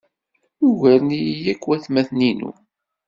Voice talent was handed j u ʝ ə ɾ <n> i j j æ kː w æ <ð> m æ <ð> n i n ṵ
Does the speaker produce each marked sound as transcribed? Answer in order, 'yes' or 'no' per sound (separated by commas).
yes, no, no